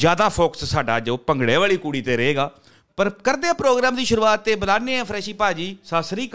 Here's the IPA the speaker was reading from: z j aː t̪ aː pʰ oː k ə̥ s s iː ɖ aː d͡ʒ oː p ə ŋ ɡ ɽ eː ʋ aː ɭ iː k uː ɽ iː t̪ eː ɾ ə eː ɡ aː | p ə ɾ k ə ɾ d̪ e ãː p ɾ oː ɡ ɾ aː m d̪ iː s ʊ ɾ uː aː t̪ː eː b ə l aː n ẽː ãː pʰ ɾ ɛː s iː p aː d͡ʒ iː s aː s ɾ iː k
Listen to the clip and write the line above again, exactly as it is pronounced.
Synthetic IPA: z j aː d̪ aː pʰ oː k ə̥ s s aː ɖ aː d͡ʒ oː p ə ŋ ɡ ɽ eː ʋ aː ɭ iː k uː ɽ iː t̪ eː ɾ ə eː ɡ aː | p ə ɾ k ə ɾ d̪ e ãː p ɾ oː ɡ ɾ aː m d̪ iː ʃ ʊ ɾ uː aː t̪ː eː b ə l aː n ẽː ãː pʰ ɾ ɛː ʃ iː p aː d͡ʒ iː s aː s ɾ iː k